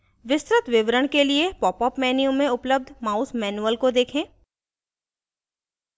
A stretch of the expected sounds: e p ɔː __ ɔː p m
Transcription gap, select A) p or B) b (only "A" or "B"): A